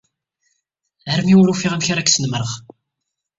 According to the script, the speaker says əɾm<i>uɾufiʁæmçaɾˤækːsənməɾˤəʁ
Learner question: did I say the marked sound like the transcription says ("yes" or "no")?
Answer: yes